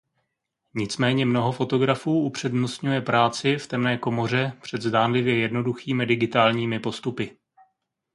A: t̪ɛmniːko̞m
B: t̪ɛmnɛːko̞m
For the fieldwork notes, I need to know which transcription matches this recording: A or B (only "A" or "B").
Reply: B